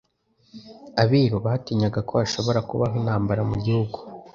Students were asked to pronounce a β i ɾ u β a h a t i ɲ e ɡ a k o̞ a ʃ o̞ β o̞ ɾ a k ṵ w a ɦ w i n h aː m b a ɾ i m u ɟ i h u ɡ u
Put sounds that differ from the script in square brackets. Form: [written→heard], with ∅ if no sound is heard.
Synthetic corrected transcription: a β i ɾ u β a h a t i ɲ [e→a] ɡ a k o̞ a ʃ o̞ β o̞ ɾ a k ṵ [w→β] a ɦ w i n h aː m b a ɾ [i→a] m u ɟ i h u ɡ u